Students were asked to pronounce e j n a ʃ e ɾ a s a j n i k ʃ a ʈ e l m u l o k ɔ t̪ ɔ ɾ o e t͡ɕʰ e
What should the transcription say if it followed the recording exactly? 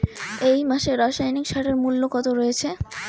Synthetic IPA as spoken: e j m a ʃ e ɾ a ʃ a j n i k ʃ a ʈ e ɾ m u lː o k ɔ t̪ o ɾ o e t͡ɕʰ e